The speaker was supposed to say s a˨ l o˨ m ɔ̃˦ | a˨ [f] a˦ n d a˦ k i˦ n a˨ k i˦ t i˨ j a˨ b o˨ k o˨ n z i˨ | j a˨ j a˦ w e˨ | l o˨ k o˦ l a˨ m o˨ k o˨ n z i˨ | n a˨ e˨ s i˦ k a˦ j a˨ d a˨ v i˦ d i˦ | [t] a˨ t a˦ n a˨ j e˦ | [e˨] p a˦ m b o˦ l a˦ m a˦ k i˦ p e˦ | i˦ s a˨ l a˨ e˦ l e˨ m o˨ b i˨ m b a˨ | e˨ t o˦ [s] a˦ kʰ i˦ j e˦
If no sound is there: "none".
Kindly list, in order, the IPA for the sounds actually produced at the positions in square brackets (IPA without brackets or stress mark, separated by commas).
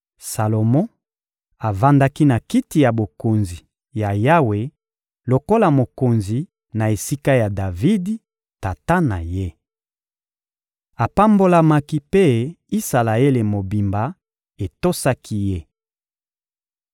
v, t, a˨, s